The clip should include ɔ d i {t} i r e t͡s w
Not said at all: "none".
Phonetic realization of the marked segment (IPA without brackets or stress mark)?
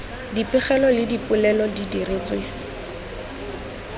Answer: d